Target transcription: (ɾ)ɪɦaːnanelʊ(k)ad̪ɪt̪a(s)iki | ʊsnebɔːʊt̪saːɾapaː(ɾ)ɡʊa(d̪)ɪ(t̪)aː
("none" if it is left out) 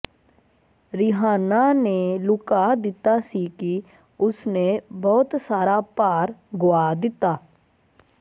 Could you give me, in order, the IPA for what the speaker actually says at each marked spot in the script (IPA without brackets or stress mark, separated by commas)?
ɾ, k, s, ɾ, d̪, t̪